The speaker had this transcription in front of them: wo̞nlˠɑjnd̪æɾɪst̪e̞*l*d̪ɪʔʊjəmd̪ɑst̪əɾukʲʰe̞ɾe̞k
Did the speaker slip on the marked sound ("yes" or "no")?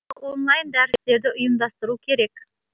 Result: yes